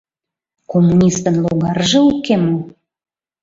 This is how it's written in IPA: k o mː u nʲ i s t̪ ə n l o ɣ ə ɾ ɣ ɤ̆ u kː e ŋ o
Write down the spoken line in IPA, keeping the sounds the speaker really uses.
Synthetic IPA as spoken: k o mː u nʲ i s t̪ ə n l o ɣ ɑ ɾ ʒ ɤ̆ u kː e m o